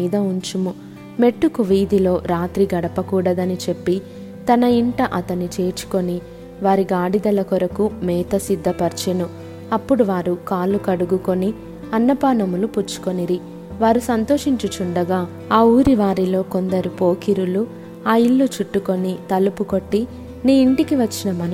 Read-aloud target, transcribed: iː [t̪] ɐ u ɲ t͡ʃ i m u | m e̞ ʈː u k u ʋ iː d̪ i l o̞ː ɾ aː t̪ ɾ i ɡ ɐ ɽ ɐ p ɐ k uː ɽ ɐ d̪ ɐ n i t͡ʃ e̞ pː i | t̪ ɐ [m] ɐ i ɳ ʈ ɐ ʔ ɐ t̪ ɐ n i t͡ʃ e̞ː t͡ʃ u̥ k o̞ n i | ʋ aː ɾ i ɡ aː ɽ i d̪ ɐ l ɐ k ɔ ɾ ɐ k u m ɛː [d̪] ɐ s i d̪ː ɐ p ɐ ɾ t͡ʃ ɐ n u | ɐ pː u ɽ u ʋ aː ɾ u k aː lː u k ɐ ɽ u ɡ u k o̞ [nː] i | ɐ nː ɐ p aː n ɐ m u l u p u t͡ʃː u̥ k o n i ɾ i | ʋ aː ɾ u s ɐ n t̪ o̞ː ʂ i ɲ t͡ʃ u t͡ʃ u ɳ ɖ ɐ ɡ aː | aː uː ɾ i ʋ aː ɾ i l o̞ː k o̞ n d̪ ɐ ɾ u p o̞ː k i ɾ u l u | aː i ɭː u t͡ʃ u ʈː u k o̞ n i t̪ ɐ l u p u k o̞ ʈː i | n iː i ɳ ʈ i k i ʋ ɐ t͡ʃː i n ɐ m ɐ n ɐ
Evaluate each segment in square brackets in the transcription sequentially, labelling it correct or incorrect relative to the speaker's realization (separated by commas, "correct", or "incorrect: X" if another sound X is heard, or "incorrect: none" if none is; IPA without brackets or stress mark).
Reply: incorrect: d̪, incorrect: n, incorrect: t̪, incorrect: n